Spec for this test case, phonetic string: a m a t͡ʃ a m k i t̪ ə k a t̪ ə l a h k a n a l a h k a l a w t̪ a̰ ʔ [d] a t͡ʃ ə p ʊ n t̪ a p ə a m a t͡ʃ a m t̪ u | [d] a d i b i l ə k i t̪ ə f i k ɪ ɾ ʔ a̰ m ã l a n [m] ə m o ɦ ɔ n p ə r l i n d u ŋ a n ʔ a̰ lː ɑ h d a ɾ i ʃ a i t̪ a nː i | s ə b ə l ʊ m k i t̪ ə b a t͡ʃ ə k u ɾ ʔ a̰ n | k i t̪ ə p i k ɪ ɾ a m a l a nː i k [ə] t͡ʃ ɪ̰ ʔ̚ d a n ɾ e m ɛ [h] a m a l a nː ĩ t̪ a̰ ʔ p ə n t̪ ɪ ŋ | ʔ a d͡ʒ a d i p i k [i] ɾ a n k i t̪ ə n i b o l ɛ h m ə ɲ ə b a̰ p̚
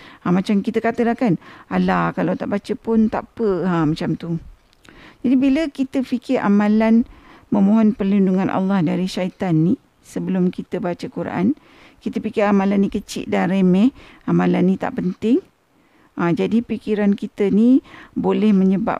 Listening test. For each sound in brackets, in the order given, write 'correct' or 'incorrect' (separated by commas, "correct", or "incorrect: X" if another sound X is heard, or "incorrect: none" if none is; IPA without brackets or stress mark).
incorrect: b, incorrect: d͡ʒ, correct, correct, correct, correct